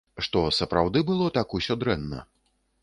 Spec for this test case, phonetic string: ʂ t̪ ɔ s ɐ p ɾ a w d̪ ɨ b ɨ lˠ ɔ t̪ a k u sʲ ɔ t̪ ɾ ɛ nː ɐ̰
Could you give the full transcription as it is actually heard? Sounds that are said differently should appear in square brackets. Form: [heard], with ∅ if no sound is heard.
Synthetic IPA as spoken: ʂ t̪ ɔ s ɐ p ɾ a w d̪ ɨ b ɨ lˠ ɔ t̪ a k u sʲ ɔ [d̪] ɾ ɛ nː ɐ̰